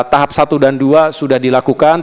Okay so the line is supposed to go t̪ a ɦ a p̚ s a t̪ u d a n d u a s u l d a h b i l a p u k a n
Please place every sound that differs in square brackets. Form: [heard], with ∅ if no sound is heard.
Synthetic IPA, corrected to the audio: t̪ a ɦ a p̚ s a t̪ u d a n d u a s u [∅] d a h [d] i l a [k] u k a n

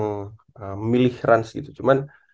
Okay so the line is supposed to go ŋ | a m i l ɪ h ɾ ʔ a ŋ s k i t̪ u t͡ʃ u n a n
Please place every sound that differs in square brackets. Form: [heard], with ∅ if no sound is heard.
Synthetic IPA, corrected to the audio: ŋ | [ə] m i l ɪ h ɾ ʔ a [n] s [ɡ] i t̪ u t͡ʃ u [m] a n

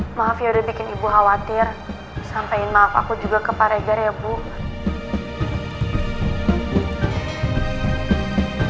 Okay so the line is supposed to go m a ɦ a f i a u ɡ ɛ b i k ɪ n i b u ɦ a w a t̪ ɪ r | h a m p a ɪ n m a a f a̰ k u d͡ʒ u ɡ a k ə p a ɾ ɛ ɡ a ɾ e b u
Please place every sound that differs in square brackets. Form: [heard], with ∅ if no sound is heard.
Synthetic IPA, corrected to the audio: m a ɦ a f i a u [d] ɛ b i k ɪ n i b u ɦ a w a t̪ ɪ r | [s] a m p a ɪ n m a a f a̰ k u d͡ʒ u ɡ a k ə p a ɾ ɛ ɡ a ɾ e b u

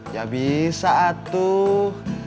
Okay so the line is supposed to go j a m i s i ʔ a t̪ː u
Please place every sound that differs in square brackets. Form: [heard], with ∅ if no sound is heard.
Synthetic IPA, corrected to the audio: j a [b] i s [a] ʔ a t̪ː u

